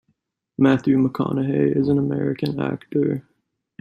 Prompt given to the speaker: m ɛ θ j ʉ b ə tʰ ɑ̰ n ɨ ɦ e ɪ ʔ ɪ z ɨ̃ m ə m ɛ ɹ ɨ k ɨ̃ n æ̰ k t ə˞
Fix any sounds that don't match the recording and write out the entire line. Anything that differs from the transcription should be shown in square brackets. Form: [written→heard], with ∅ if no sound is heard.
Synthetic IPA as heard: m [ɛ→æ] θ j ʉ [b→m] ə [tʰ→kʰ] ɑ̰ n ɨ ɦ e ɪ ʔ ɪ z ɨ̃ [m→n] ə m ɛ ɹ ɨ k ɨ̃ n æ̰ k t ə˞